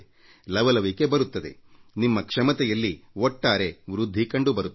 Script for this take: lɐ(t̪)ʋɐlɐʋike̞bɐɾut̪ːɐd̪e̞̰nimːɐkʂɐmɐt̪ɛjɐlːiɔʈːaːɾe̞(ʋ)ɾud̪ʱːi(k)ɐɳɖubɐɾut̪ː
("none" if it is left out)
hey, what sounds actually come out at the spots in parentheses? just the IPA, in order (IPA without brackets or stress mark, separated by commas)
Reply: none, ʋ, k